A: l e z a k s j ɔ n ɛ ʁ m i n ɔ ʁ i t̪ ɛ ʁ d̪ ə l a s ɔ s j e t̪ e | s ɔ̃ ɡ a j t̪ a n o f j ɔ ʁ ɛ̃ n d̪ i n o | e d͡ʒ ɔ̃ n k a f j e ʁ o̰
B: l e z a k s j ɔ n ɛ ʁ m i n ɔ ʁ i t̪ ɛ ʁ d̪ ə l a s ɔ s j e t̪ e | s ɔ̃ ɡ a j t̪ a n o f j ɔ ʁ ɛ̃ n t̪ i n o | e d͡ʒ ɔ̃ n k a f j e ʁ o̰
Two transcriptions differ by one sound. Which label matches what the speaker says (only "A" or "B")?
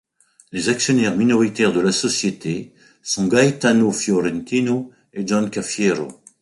B